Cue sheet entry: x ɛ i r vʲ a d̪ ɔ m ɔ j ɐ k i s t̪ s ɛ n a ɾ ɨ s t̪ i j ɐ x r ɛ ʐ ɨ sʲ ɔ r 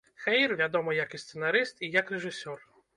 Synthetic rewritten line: x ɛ j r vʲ a d̪ ɔ m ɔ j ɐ k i s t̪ s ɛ n a ɾ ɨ s t̪ i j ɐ k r ɛ ʐ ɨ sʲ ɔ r